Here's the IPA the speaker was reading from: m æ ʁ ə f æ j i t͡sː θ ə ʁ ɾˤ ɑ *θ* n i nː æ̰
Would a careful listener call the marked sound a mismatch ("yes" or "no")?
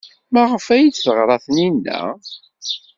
no